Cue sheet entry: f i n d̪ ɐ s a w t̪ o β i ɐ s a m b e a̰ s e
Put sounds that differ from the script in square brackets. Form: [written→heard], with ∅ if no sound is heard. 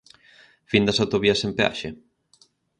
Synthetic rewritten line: f i n d̪ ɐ s a w t̪ o β i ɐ s [a→e] m [b→p] e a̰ [s→ʃ] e